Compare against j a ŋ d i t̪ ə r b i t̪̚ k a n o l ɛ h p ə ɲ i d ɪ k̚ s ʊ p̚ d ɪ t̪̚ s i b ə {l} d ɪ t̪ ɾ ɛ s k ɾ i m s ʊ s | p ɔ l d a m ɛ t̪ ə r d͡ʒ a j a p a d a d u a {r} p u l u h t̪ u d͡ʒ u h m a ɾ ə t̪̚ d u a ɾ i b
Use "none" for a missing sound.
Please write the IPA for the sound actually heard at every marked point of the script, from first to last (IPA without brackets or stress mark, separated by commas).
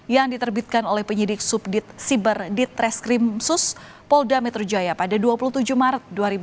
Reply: r, none